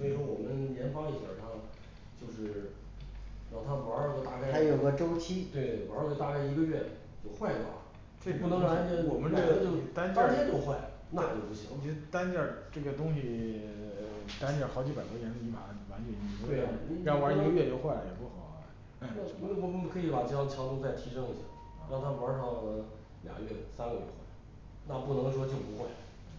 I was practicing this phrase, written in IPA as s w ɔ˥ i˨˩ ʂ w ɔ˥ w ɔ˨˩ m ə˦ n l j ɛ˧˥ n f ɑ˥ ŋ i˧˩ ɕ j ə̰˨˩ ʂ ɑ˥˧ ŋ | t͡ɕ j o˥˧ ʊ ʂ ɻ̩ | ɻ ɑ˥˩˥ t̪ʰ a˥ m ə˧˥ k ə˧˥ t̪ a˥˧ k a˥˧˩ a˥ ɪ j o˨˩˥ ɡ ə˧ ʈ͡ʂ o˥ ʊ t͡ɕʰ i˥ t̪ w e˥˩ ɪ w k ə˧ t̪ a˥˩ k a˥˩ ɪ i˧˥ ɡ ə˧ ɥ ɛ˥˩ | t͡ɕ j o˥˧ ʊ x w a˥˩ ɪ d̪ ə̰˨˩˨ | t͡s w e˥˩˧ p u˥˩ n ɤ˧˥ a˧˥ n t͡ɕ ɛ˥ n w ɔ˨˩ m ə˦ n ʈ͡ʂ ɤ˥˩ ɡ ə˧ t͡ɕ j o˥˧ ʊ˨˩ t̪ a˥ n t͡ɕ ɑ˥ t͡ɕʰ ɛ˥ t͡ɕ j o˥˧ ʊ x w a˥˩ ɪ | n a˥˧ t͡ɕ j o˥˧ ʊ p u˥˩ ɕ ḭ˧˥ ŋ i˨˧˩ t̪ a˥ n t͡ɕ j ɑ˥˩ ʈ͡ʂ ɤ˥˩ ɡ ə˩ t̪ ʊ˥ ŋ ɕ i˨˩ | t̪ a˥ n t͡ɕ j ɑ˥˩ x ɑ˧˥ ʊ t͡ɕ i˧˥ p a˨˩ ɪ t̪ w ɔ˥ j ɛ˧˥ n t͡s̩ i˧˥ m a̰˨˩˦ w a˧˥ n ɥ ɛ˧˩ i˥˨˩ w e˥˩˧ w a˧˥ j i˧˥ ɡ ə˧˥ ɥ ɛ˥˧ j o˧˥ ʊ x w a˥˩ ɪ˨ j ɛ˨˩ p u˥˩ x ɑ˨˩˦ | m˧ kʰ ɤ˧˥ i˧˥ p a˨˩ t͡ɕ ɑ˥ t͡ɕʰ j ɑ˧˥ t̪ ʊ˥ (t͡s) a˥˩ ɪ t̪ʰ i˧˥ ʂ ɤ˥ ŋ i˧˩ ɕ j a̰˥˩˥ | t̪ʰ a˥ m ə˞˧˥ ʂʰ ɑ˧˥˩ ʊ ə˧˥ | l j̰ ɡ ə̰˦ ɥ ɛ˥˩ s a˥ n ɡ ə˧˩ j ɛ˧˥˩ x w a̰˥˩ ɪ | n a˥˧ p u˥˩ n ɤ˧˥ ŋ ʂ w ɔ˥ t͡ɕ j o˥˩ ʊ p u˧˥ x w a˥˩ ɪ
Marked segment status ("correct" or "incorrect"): correct